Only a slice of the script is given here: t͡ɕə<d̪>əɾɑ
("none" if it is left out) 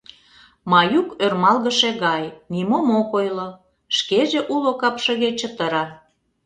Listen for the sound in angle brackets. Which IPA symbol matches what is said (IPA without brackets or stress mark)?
t̪